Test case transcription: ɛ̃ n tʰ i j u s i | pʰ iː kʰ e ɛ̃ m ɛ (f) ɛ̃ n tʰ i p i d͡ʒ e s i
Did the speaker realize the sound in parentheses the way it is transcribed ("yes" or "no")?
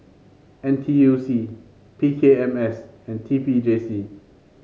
no